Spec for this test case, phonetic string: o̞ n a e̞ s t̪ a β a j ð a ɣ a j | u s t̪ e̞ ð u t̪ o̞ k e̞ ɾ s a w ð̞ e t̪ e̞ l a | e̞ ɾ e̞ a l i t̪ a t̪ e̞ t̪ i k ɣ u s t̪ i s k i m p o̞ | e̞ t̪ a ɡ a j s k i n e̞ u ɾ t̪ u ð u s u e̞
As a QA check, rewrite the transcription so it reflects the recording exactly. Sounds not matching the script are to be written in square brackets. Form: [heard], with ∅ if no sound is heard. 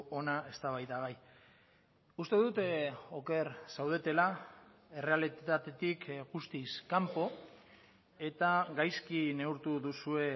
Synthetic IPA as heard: o̞ n a e̞ s t̪ a β a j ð a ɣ a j | u s t̪ e̞ ð u t̪ o̞ k e̞ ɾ s a w ð̞ e t̪ e̞ l a | e̞ [r] e̞ a l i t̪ a t̪ e̞ t̪ i k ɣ u s t̪ i s k [a] m p o̞ | e̞ t̪ a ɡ a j s k i n e̞ u ɾ t̪ u ð u s u e̞